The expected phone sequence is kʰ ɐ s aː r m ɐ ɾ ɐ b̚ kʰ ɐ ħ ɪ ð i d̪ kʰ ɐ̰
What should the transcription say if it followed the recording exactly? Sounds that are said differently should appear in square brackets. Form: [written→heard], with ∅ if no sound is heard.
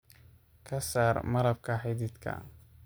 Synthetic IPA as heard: kʰ ɐ s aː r m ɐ ɾ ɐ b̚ kʰ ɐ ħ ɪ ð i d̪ kʰ ɐ̰